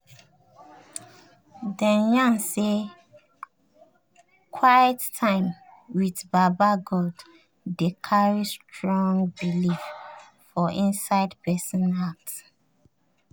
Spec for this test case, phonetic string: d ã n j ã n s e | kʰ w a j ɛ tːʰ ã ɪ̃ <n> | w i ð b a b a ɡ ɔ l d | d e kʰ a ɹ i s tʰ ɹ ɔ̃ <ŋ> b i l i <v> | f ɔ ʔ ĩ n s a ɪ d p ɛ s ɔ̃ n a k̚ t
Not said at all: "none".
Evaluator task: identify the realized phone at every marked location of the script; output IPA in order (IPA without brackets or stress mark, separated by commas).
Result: m, ŋ, f